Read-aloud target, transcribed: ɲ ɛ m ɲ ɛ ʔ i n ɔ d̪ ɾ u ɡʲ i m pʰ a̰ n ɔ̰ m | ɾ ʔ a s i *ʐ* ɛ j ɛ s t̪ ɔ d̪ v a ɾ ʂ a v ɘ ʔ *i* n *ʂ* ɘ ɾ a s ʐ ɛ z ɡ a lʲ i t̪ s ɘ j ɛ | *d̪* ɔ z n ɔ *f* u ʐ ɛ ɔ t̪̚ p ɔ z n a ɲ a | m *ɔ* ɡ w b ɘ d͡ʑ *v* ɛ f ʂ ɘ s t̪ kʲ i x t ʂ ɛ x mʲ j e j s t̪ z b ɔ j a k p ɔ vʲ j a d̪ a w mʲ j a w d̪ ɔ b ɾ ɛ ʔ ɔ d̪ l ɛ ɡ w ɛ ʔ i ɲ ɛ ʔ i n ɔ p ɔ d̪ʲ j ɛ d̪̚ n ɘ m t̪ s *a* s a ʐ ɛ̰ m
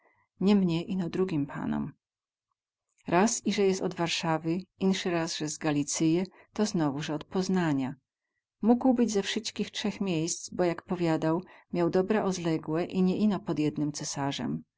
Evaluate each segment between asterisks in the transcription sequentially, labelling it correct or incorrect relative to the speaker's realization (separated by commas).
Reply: correct, correct, correct, incorrect, incorrect, incorrect, incorrect, incorrect